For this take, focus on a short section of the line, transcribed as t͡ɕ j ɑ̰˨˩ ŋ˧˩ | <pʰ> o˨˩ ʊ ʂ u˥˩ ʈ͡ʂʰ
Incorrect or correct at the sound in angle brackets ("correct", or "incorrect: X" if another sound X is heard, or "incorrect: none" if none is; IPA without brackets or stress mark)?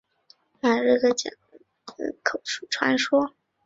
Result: incorrect: kʰ